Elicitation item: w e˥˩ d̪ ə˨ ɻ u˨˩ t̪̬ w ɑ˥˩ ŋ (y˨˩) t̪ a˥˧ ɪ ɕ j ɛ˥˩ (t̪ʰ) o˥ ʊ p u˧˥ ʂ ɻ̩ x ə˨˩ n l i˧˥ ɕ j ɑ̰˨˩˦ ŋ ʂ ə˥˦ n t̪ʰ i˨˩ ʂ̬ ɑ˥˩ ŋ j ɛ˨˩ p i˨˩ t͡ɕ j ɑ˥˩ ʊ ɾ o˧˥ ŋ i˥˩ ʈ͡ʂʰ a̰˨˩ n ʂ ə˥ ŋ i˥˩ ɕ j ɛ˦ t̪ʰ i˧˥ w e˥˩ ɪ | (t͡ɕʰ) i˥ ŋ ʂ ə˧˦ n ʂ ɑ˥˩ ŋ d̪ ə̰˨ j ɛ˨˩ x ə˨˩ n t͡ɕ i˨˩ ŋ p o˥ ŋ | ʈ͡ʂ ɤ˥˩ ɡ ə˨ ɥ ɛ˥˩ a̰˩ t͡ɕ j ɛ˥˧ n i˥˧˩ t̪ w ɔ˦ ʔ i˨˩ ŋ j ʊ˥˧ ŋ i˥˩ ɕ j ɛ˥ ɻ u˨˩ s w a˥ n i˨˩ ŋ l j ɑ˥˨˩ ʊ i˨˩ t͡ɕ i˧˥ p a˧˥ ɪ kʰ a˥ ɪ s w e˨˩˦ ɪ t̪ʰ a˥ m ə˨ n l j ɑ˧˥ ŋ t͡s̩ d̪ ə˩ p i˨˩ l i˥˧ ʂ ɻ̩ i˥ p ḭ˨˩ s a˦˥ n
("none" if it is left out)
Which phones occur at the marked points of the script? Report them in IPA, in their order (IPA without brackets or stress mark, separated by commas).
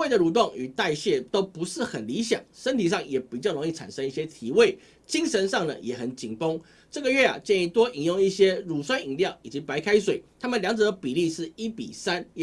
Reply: y˨˩, t̪, t͡ɕ